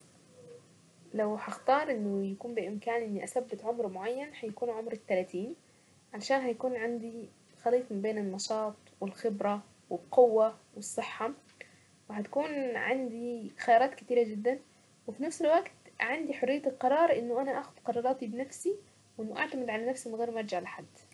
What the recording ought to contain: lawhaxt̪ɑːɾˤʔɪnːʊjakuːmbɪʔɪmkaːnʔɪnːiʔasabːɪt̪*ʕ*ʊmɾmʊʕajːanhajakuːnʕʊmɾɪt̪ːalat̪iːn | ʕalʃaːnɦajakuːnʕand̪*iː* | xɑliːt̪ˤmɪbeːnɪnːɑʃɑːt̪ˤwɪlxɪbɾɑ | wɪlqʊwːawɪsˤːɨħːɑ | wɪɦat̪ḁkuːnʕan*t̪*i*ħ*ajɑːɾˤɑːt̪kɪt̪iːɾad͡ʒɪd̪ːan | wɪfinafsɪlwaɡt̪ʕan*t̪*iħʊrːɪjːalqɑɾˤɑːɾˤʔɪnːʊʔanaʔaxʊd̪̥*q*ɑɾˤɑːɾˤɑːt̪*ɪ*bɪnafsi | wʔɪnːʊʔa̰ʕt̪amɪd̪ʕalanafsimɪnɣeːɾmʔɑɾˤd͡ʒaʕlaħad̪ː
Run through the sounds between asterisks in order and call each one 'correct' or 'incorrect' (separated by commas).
correct, incorrect, incorrect, incorrect, incorrect, correct, incorrect